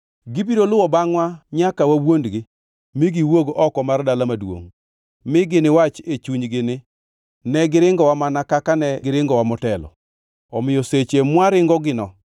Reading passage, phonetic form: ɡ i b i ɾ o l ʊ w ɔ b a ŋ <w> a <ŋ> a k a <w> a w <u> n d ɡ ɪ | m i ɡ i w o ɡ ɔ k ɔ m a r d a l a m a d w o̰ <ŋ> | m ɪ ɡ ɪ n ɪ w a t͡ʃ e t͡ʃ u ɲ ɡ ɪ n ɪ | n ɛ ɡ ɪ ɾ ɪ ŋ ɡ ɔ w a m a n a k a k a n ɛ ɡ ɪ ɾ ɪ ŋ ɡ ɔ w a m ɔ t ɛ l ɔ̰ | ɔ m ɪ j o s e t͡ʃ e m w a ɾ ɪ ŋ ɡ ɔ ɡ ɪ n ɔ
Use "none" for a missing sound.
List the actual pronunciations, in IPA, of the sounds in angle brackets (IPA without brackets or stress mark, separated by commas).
w, ɲ, w, o, ŋ